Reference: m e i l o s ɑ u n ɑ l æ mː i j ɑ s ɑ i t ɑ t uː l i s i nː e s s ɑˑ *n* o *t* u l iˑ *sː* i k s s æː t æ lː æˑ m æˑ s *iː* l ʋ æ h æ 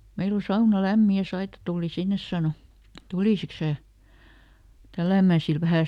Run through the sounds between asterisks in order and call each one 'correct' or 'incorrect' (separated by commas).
correct, correct, incorrect, incorrect